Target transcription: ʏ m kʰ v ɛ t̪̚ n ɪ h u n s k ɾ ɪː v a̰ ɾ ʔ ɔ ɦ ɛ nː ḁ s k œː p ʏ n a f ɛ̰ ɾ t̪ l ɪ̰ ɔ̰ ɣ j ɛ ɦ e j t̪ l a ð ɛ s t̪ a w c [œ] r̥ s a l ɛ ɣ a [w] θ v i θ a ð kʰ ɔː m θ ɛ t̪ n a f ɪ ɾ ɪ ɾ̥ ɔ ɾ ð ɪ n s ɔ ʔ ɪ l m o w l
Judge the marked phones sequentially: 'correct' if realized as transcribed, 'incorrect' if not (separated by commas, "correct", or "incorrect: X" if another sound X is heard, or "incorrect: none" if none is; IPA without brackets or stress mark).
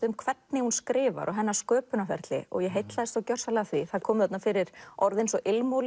correct, incorrect: none